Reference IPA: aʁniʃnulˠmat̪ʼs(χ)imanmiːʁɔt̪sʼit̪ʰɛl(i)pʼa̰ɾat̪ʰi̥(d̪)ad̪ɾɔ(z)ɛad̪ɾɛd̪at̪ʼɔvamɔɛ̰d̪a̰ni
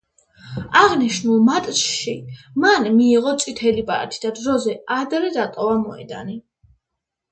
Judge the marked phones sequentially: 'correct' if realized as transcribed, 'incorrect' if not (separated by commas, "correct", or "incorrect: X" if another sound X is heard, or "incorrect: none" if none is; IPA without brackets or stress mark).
incorrect: ʃ, correct, correct, correct